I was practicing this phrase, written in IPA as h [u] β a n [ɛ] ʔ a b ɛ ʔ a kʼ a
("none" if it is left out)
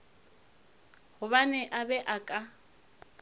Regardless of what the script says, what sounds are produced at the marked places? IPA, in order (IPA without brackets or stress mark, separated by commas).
ʊ, ɛ